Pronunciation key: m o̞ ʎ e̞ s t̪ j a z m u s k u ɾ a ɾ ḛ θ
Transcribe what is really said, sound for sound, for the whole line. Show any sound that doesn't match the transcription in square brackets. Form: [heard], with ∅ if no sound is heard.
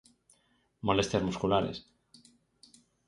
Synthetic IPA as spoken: m o̞ [l] e̞ s t̪ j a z m u s k u [l] a ɾ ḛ [s]